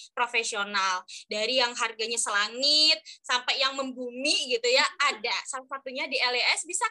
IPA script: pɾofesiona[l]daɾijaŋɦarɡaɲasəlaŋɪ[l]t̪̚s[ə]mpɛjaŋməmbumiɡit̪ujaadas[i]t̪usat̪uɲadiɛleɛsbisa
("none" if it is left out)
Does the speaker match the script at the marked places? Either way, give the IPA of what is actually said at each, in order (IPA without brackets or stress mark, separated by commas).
l, none, a, a